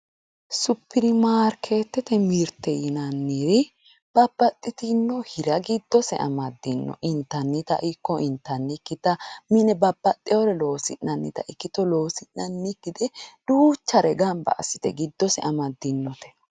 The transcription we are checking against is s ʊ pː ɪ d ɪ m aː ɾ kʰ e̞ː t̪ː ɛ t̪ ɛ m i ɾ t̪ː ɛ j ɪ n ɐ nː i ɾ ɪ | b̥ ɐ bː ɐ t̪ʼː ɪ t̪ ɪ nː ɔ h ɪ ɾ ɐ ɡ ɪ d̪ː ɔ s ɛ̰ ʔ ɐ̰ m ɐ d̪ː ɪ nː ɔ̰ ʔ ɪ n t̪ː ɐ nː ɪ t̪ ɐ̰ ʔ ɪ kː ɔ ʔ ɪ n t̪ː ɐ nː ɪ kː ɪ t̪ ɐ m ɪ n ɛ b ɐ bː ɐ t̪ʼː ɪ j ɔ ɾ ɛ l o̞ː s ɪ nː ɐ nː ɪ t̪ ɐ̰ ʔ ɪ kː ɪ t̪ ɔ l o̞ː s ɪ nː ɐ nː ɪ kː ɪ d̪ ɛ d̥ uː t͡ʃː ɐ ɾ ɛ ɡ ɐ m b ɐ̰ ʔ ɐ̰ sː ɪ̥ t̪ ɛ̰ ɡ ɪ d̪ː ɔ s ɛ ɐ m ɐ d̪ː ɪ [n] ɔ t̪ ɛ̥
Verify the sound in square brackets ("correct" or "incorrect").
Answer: incorrect